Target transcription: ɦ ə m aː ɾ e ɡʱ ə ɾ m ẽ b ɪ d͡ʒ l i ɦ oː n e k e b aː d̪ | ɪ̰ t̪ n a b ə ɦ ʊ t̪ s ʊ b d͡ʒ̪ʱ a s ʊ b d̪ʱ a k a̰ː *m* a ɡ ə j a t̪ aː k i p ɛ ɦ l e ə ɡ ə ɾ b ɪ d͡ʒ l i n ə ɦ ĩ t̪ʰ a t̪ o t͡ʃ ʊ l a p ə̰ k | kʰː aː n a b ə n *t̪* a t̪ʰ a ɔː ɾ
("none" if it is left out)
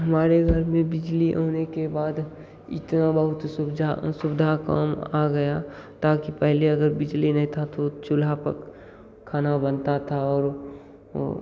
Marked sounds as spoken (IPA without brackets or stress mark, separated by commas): m, t̪